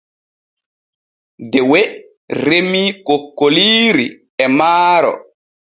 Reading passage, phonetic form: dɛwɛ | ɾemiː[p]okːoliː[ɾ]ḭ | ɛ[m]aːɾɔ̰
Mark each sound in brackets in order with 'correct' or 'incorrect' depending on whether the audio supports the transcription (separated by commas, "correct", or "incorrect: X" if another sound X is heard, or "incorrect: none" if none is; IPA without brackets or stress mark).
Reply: incorrect: k, correct, correct